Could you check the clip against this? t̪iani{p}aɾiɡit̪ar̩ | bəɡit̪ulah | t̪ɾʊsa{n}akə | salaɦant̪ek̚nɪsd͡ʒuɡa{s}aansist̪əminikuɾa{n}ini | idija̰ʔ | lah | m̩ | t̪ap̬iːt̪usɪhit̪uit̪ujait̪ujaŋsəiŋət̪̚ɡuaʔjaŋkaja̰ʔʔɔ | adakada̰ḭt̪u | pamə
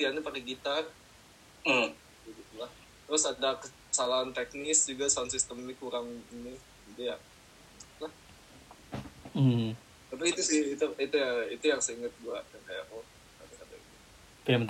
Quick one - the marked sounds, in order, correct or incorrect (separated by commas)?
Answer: correct, incorrect, correct, incorrect